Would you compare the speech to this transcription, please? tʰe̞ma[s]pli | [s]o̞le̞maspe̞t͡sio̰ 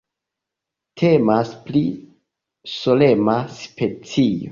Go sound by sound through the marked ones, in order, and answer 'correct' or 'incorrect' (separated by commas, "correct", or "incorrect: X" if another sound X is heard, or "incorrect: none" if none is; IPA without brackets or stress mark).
correct, correct